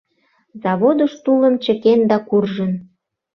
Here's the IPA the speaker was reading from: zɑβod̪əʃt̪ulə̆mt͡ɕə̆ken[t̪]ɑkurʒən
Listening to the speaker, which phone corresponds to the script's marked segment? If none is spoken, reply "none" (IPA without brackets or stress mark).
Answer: d̪